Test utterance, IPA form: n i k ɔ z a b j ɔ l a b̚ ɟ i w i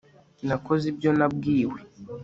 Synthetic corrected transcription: n a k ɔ z i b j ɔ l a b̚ ɡ i w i